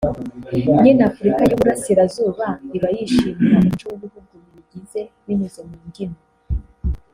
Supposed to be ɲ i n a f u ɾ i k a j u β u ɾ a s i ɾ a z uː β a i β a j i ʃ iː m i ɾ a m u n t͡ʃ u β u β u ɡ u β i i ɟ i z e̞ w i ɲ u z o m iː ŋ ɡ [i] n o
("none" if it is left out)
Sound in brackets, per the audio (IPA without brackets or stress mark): i